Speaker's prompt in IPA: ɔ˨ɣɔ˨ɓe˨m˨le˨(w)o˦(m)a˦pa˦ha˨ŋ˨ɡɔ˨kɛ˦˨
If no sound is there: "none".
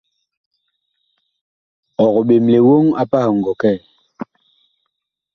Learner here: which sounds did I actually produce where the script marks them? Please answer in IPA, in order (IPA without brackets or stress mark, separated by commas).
w, ŋ